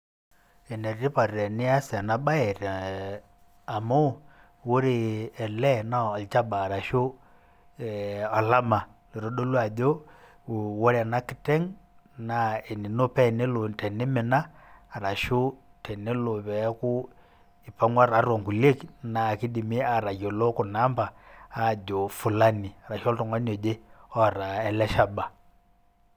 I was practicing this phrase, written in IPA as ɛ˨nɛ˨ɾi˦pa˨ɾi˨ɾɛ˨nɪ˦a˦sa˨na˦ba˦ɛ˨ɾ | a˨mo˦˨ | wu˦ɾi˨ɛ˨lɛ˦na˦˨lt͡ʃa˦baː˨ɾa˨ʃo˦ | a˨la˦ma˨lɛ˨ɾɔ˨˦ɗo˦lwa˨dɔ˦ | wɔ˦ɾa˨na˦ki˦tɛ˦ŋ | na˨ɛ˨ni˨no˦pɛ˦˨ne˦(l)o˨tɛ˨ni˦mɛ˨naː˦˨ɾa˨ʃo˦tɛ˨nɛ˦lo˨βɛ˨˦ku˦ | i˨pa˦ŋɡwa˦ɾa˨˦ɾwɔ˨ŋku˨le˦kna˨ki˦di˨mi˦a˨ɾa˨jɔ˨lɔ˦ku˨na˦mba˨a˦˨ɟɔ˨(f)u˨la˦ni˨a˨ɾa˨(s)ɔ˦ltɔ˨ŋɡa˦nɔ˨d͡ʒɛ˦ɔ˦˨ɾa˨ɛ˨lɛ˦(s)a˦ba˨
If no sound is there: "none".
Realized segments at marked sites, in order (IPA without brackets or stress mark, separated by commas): l, f, ʃ, ʃ